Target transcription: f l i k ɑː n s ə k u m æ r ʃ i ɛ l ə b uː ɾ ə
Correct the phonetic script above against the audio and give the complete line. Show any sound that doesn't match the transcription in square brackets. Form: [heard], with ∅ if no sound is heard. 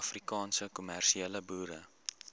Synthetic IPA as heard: f [r] i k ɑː n s ə k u m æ r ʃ i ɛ l ə b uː ɾ ə